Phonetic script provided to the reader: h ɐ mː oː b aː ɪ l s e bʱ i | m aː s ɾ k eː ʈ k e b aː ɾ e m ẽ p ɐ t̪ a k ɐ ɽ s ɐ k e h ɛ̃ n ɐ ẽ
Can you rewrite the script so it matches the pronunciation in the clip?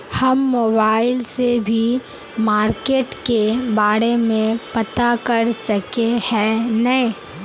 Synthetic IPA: h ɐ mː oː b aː ɪ l s e bʱ i | m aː ɾ k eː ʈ k e b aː ɾ e m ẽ p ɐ t̪ a k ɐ ɾ s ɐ k e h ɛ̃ n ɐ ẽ

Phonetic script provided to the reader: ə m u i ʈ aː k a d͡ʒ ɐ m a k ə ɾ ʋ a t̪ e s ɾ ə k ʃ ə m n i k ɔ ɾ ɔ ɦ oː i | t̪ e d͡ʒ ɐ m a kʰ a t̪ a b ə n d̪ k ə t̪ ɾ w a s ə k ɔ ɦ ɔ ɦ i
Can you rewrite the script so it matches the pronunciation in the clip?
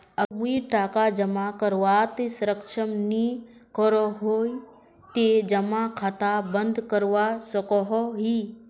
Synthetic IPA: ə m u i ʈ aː k a d͡ʒ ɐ m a k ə ɾ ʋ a t̪ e s ɾ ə k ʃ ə m n i k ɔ ɾ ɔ ɦ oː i | t̪ e d͡ʒ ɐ m a kʰ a t̪ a b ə n d̪ k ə ɾ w a s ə k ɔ ɦ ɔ ɦ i

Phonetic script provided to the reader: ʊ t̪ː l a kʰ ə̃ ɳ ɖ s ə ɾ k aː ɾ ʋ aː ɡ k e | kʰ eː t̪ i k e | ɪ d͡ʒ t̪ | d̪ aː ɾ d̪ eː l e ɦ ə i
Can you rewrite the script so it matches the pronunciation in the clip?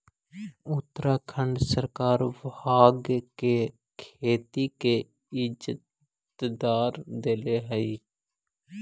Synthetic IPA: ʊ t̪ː ɾ a kʰ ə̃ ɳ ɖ s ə ɾ k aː ɾ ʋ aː ɡ k e | kʰ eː t̪ i k e | ɪ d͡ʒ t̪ | d̪ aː ɾ d̪ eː l e ɦ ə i

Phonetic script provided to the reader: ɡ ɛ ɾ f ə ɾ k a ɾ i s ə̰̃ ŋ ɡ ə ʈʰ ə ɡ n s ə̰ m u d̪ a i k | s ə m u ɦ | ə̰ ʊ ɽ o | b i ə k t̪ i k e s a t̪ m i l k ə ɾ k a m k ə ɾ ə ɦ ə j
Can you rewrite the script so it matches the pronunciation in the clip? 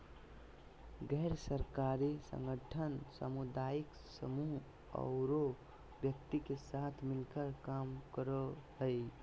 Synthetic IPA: ɡ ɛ ɾ s ə ɾ k a ɾ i s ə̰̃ ŋ ɡ ə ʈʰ ə n s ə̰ m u d̪ a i k | s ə m u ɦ | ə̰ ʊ ɾ o | b j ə k t̪ i k e s a t̪ʰ m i l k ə ɾ k a m k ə ɾ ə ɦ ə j

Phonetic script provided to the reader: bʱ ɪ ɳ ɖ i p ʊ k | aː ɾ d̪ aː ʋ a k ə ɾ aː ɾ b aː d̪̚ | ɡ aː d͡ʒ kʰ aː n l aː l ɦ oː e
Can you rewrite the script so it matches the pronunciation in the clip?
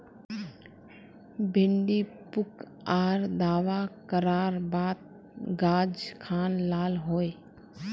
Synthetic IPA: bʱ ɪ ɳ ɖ i p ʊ k | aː ɾ d̪ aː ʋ a k ə ɾ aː ɾ b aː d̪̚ | ɡ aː d͡ʒ kʰ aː n l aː l ɦ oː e

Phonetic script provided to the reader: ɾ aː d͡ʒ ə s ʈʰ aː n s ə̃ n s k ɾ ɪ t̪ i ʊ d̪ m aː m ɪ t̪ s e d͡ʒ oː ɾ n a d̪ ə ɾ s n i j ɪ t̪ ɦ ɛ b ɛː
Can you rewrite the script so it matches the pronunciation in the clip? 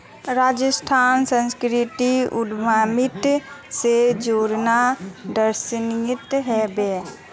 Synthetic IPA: ɾ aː d͡ʒ ə s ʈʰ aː n s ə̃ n s k ɾ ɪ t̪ i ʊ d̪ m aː m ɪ t̪ s e d͡ʒ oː ɾ n a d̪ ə ɾ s n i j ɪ t̪ ɦ ɛ b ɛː

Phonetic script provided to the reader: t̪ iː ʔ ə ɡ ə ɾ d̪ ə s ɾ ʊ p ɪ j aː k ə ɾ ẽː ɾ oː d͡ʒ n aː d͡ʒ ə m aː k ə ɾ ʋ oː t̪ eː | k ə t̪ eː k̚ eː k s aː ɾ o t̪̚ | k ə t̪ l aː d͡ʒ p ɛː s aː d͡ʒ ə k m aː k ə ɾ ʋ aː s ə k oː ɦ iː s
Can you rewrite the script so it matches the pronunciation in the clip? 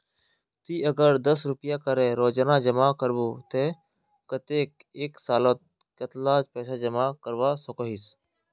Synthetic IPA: t̪ iː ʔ ə ɡ ə ɾ d̪ ə s ɾ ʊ p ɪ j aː k ə ɾ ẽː ɾ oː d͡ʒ n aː d͡ʒ ə m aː k ə ɾ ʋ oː t̪ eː | k ə t̪ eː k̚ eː k s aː l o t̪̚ | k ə t̪ l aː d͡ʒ p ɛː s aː d͡ʒ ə m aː k ə ɾ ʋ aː s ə k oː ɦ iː s

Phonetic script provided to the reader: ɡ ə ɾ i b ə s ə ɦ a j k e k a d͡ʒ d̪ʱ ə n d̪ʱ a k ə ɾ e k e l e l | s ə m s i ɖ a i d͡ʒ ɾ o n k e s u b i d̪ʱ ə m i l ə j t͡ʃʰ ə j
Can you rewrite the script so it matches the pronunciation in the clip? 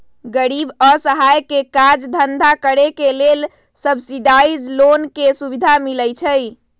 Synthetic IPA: ɡ ə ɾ i b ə s ə ɦ a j k e k a d͡ʒ d̪ʱ ə n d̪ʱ a k ə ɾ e k e l e l | s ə b s i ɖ a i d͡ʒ l o n k e s u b i d̪ʱ a m i l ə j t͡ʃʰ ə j

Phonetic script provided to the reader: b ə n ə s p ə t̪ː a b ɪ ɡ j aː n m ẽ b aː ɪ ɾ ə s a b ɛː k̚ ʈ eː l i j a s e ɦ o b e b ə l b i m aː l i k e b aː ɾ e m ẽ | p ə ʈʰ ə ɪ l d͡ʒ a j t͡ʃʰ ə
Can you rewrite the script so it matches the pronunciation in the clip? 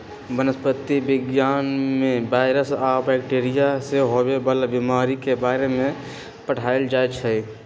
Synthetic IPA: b ə n ə s p ə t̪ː i b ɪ ɡ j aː n m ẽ b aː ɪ ɾ ə s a b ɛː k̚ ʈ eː ɾ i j a s e ɦ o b e b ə l b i m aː ɾ i k e b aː ɾ e m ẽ | p ə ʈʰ a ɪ l d͡ʒ a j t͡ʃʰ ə

